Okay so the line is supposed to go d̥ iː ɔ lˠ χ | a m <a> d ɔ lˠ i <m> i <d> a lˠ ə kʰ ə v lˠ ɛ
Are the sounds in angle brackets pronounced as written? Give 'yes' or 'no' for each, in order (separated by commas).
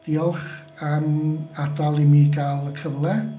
yes, yes, no